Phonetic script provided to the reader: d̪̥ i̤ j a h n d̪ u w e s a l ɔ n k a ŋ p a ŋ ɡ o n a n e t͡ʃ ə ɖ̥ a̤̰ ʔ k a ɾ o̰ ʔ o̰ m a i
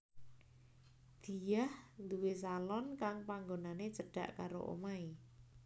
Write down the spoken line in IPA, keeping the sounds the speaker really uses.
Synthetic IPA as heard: d̪̥ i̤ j a h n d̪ u w e s a l ɔ n k a ŋ p a ŋ ɡ o n a n e t͡ʃ ə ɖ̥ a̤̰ ʔ k a ɾ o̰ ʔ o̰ m a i